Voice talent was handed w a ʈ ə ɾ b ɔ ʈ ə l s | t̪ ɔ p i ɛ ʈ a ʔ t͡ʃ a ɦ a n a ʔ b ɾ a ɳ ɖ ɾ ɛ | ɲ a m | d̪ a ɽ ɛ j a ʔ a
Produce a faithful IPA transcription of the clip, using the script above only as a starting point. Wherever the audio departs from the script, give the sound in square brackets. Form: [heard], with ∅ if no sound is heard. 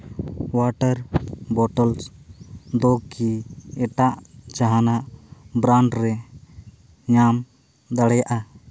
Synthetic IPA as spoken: w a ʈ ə ɾ b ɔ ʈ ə l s | [d̪] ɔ [k] i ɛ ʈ a ʔ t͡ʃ a ɦ a n a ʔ b ɾ a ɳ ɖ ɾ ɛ | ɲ a m | d̪ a ɽ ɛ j a ʔ a

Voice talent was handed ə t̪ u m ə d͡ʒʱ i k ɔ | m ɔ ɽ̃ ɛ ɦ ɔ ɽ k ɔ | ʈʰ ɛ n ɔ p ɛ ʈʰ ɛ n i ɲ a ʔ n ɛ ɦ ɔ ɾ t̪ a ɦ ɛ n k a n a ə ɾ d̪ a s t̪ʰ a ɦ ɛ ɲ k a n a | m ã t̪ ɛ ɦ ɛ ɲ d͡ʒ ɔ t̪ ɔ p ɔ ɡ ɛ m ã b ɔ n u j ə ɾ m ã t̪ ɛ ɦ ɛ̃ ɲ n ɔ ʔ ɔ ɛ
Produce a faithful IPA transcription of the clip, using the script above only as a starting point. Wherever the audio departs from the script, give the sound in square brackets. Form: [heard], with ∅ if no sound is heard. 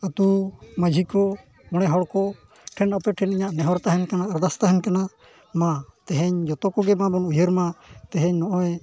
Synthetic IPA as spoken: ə t̪ u m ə d͡ʒʱ i k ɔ | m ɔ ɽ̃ ɛ ɦ ɔ ɽ k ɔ | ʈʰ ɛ n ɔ p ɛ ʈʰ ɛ n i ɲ a ʔ n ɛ ɦ ɔ ɾ t̪ a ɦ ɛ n k a n a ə ɾ d̪ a s [t̪] a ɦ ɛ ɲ k a n a | m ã t̪ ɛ ɦ ɛ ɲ d͡ʒ ɔ t̪ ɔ [k] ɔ ɡ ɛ m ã b ɔ n u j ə ɾ m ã t̪ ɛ ɦ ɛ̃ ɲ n ɔ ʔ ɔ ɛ

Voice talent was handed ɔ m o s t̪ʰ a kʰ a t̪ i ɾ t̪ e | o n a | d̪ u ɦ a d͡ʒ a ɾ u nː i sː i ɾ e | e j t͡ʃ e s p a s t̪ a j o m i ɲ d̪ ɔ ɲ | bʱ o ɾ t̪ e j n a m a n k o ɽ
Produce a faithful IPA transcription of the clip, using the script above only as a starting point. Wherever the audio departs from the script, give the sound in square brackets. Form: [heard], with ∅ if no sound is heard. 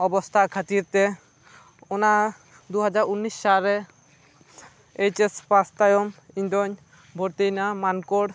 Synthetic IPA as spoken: ɔ [b] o s t̪ʰ a kʰ a t̪ i ɾ t̪ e | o n a | d̪ u ɦ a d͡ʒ a ɾ u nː i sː [a] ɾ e | e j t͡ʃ e s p a s t̪ a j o m i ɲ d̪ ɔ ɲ | bʱ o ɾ t̪ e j n a m a n k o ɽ

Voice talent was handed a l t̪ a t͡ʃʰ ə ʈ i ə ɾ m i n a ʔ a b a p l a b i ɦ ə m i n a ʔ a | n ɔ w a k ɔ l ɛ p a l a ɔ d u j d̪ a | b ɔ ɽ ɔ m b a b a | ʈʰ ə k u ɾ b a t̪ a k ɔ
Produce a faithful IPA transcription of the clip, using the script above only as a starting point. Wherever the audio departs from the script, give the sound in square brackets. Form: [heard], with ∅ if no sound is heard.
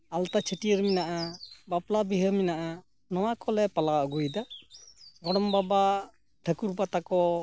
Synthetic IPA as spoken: a l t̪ a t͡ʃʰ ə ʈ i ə ɾ m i n a ʔ a b a p l a b i ɦ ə m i n a ʔ a | n ɔ w a k ɔ l ɛ p a l a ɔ [ɡ] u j d̪ a | [ɡ] ɔ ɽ ɔ m b a b a | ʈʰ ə k u ɾ b a t̪ a k ɔ

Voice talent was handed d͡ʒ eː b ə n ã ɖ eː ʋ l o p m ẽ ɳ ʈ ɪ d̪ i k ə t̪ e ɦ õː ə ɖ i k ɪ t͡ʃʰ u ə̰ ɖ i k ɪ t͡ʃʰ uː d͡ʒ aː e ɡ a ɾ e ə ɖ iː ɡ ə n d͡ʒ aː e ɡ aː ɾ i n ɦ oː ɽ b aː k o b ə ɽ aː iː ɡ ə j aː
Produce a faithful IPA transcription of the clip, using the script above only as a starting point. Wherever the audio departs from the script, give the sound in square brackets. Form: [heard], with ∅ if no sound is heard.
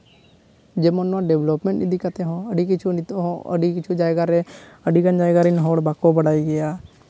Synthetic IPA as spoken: d͡ʒ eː [m] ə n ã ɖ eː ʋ l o p m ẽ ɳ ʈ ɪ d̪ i k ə t̪ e ɦ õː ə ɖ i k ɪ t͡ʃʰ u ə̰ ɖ i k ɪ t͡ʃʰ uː d͡ʒ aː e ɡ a ɾ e ə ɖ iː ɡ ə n d͡ʒ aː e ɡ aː ɾ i n ɦ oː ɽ b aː k o b ə ɽ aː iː ɡ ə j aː

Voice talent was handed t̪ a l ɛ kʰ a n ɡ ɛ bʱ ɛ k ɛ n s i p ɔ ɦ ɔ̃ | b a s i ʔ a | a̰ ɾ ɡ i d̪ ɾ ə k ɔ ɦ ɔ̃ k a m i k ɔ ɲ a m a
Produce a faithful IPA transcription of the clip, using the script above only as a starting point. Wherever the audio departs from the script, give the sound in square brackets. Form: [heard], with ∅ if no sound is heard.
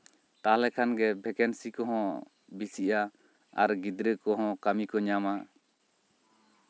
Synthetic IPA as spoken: t̪ a l ɛ kʰ a n ɡ ɛ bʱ ɛ k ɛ n s i [k] ɔ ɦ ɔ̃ | b [i] s i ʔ a | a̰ ɾ ɡ i d̪ ɾ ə k ɔ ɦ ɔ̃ k a m i k ɔ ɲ a m a

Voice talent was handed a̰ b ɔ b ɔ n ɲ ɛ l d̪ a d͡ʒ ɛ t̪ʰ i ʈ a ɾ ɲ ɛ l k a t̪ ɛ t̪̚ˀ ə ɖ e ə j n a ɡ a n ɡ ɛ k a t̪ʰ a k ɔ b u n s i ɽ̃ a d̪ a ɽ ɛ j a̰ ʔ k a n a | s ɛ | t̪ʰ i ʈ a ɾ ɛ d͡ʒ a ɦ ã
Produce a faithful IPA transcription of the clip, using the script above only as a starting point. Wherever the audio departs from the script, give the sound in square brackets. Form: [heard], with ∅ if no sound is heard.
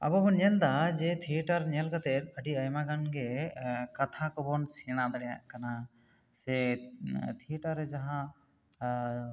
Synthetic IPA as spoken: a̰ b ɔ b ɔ n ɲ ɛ l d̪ a d͡ʒ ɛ t̪ʰ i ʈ a ɾ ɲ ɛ l k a t̪ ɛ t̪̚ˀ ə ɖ [i] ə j [m] a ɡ a n ɡ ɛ k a t̪ʰ a k ɔ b [ɔ] n s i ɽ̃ a d̪ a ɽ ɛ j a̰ ʔ k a n a | s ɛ | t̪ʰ i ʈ a ɾ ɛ d͡ʒ a ɦ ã

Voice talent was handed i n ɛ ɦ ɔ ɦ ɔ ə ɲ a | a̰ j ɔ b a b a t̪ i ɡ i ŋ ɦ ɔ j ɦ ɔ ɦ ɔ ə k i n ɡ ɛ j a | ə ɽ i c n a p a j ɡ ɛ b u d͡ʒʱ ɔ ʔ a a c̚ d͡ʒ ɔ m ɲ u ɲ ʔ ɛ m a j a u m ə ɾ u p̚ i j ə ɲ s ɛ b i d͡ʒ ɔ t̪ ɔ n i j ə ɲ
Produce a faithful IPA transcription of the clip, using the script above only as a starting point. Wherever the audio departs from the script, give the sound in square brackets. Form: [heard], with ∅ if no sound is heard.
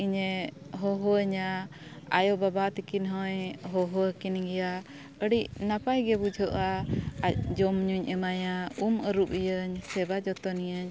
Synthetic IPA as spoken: i [ɲ] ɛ ɦ ɔ ɦ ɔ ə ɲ a | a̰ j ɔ b a b a t̪ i [k] i [n] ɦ ɔ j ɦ ɔ ɦ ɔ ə k i n ɡ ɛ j a | ə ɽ i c n a p a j ɡ ɛ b u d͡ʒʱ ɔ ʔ a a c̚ d͡ʒ ɔ m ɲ u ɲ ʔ ɛ m a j a u m ə ɾ u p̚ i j ə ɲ s ɛ b [a] d͡ʒ ɔ t̪ ɔ n i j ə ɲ

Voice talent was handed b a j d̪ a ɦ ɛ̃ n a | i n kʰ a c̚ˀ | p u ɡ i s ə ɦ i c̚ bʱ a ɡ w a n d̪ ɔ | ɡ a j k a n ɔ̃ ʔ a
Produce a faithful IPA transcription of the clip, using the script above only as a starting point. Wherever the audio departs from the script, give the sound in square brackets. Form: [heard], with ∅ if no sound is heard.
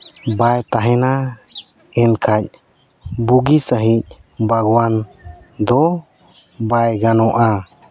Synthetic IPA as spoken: b a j [t̪] a ɦ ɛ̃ n a | [ɛ] n kʰ a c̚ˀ | [b] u ɡ i s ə ɦ i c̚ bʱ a ɡ w a n d̪ ɔ | [b] a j [ɡ] a n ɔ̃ ʔ a

